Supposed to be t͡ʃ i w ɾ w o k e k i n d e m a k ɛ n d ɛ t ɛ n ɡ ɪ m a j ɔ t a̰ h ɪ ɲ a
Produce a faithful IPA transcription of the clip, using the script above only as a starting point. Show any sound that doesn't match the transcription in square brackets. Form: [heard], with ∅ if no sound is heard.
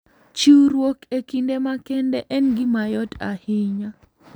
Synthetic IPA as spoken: t͡ʃ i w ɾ w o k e k i n d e m a k ɛ n d ɛ [ʔ] ɛ n ɡ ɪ m a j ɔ t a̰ h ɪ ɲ a